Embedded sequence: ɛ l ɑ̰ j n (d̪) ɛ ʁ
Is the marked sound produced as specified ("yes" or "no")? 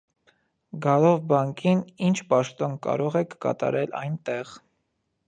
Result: no